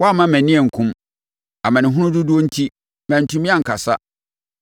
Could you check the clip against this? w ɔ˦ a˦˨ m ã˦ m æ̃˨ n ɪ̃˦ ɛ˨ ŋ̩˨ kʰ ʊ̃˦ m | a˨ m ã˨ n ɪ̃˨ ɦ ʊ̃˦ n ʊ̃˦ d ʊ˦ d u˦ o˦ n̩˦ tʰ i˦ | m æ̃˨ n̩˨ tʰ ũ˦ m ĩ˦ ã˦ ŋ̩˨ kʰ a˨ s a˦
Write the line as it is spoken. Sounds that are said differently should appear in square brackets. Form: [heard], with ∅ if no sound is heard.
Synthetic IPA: w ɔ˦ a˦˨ m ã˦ m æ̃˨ n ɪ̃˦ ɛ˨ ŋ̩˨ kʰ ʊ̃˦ m | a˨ m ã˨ n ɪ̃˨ ɦ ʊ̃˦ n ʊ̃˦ d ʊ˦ d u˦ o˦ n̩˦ tʰ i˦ | m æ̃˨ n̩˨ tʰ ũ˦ m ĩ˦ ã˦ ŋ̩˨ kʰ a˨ s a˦